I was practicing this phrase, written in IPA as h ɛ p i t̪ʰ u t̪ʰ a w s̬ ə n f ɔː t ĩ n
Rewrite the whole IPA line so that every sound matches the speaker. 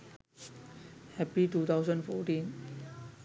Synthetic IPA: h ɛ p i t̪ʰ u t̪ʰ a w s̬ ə n f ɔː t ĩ n